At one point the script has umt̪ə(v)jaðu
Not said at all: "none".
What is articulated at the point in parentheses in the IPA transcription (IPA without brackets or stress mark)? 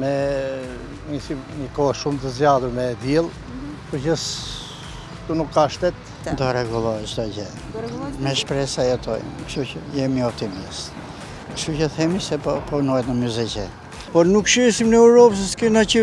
z